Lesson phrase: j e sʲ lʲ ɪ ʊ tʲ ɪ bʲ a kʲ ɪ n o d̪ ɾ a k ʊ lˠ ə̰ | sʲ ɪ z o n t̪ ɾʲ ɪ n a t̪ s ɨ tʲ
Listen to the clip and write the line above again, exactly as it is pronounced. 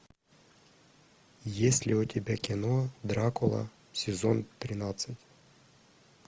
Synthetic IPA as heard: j e sʲ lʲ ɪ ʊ tʲ ɪ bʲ a kʲ ɪ n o d̪ ɾ a k ʊ lˠ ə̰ | sʲ ɪ z o n t̪ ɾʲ ɪ n a t̪ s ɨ tʲ